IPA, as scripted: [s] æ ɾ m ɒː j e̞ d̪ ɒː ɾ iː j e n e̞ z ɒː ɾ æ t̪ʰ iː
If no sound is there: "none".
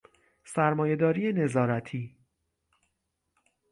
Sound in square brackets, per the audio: s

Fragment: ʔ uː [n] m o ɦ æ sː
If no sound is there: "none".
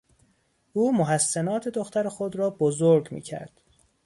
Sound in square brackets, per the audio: none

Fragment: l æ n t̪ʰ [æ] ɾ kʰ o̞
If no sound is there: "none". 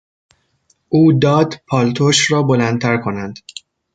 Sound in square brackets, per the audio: æ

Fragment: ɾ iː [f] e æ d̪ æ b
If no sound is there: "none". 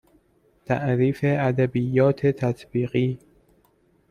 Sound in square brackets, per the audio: f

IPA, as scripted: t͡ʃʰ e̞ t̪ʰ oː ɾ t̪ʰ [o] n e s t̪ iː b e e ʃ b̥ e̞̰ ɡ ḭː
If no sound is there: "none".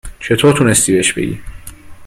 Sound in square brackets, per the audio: u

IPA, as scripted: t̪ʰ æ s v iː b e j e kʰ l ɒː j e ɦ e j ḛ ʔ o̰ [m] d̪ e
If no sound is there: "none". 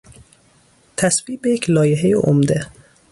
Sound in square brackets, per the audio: m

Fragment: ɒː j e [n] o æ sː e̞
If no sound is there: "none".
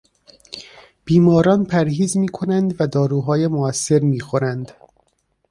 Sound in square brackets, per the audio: m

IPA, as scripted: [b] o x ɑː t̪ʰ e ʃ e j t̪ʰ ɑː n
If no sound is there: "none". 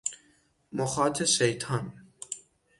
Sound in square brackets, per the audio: m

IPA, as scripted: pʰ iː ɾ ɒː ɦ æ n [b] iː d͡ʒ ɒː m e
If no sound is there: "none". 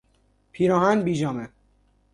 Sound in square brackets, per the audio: b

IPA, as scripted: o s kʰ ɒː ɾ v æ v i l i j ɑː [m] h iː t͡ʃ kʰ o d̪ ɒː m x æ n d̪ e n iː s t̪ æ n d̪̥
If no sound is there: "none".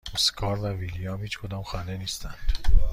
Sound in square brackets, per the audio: m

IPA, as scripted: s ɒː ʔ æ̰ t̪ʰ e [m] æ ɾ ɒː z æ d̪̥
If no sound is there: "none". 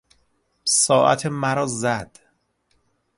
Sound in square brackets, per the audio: m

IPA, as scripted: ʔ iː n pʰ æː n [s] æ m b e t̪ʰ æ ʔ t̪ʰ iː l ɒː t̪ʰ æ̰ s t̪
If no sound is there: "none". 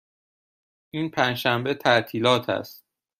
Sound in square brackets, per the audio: ʃ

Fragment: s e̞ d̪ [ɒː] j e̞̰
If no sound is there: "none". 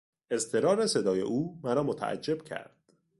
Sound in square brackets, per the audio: ɒː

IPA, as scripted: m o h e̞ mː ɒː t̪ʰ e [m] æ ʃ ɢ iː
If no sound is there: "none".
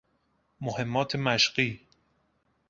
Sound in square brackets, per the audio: m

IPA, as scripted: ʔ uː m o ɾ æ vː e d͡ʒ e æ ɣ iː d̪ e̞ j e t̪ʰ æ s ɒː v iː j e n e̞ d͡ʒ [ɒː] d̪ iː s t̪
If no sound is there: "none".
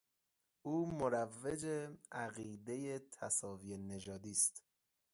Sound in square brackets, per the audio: ɒː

